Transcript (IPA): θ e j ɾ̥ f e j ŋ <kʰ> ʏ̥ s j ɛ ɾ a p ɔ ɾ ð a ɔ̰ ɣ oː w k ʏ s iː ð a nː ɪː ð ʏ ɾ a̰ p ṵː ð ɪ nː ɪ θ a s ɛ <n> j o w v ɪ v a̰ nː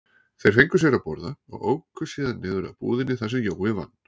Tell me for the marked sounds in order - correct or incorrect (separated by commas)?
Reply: incorrect, incorrect